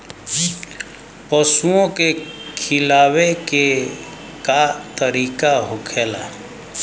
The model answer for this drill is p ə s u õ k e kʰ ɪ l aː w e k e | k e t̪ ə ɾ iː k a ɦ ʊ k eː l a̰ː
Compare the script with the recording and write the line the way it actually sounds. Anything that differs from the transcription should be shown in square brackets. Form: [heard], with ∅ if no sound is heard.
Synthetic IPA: p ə s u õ k e kʰ ɪ l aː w e k e | k [a] t̪ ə ɾ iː k a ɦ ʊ [kʰ] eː l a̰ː

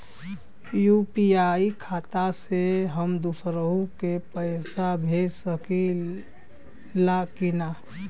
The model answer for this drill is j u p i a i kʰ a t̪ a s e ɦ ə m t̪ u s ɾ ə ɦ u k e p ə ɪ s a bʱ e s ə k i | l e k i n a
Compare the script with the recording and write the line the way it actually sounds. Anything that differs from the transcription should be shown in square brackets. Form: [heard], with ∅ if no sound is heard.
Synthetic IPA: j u p i a i kʰ a t̪ a s e ɦ ə m [d̪] u s ɾ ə ɦ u k e p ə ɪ s a bʱ e s ə k i | l [a] k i n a

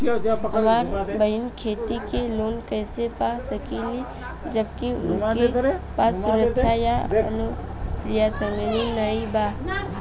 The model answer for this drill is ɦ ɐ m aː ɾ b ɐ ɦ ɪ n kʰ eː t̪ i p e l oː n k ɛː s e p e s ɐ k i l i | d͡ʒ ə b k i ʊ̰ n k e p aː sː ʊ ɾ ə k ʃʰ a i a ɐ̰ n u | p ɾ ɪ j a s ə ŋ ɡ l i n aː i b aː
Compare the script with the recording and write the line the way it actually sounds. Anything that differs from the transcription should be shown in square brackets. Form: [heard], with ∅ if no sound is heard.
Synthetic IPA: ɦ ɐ m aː ɾ b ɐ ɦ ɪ n kʰ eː t̪ i [k] e l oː n k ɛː s e p [a] s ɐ k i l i | d͡ʒ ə b k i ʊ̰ n k e p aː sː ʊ ɾ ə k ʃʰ a [j] a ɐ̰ n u | p ɾ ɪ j a s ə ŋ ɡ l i n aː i b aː

